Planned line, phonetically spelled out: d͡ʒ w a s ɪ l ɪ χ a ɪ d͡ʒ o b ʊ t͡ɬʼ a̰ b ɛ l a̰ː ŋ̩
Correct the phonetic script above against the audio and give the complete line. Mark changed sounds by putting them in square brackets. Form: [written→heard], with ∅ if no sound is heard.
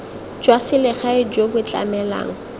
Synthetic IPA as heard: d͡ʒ w a s ɪ l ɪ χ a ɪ d͡ʒ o b ʊ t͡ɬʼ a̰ [b→m] ɛ l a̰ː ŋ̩